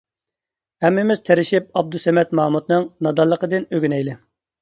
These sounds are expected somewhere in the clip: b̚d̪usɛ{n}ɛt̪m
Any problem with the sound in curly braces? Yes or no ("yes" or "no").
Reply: yes